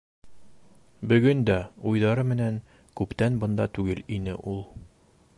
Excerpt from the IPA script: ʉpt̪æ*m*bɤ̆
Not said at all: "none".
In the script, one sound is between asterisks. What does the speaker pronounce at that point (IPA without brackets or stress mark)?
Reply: n